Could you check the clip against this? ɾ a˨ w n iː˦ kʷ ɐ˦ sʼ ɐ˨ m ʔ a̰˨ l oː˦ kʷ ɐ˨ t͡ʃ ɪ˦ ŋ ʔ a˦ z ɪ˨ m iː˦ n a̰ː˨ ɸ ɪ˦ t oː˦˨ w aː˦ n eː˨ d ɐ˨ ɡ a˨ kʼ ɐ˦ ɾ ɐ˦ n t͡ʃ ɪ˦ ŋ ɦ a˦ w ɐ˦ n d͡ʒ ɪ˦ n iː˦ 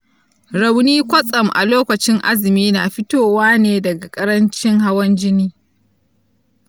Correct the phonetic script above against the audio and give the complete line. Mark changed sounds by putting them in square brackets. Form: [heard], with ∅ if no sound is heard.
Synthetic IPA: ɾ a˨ w n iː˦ kʷ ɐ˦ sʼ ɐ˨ m ʔ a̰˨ l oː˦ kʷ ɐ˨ t͡ʃ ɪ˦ ŋ ʔ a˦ z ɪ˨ m iː˦ n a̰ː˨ ɸ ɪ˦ t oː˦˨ w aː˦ n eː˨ d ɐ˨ ɡ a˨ kʼ ɐ˦ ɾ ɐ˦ n t͡ʃ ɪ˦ ŋ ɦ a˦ w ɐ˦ n d͡ʒ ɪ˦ n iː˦